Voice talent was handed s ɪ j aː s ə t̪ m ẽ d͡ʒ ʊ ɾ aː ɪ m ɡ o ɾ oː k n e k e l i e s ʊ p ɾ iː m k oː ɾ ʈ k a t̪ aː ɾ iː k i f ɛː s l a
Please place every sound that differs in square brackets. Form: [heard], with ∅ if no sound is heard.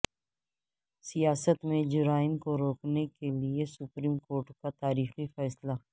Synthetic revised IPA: s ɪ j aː s ə t̪ m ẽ d͡ʒ ʊ ɾ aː ɪ m [k] o ɾ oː k n e k e l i e s ʊ p ɾ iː m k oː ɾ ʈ k a t̪ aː ɾ iː [x] i f ɛː s l a